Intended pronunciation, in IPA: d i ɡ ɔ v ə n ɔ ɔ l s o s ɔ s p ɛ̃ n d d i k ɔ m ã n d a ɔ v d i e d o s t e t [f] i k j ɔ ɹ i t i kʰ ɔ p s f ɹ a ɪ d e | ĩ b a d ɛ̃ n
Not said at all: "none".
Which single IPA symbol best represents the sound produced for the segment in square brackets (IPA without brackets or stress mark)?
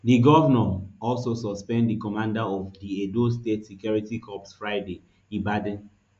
s